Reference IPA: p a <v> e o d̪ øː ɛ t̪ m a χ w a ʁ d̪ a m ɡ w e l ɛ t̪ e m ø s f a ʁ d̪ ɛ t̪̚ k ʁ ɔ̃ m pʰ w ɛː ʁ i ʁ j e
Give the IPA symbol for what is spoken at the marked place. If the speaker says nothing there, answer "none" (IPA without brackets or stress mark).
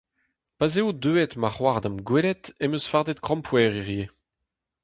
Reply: z